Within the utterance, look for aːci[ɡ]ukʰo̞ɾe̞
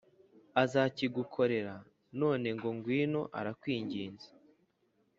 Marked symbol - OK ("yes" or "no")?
yes